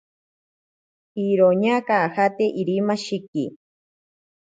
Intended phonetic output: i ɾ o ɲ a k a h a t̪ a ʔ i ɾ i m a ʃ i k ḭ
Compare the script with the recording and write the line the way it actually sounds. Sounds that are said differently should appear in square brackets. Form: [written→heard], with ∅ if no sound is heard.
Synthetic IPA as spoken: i ɾ o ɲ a k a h a t̪ [a→e] ʔ i ɾ i m a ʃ i k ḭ